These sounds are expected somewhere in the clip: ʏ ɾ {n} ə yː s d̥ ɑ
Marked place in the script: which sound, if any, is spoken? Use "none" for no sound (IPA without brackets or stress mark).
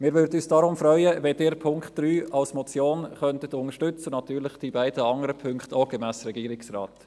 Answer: d